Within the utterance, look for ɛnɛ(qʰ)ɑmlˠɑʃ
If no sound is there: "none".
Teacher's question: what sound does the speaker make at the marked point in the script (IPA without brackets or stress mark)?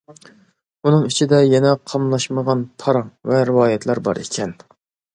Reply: qʰ